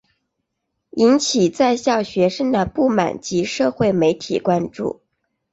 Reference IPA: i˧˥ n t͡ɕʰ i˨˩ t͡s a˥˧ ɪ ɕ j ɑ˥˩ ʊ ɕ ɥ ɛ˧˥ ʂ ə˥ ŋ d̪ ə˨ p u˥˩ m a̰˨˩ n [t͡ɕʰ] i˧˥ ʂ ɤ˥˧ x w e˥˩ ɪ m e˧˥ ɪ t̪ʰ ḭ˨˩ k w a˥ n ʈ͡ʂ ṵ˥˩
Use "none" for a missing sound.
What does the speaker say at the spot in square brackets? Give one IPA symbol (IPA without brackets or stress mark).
t͡ɕ